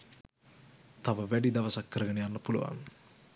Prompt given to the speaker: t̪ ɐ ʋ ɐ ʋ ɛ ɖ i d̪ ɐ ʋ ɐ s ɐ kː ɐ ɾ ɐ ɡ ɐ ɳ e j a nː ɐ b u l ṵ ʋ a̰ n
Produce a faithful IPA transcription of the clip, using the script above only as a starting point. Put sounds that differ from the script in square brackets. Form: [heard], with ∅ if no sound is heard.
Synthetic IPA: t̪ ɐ ʋ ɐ ʋ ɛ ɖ i d̪ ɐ ʋ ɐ s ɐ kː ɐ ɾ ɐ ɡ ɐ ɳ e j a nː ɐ [p] u l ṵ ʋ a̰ n